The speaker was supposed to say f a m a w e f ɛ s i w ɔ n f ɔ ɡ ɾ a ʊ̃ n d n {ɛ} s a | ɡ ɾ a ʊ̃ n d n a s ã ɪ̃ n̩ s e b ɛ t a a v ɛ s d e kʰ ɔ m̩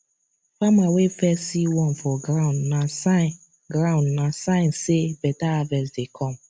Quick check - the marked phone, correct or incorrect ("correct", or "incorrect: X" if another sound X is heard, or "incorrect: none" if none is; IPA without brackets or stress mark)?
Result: incorrect: a